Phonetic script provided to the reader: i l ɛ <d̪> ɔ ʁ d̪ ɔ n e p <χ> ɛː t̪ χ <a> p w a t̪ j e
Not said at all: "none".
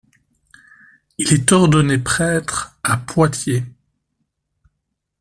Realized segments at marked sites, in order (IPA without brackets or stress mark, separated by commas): t̪, χ, a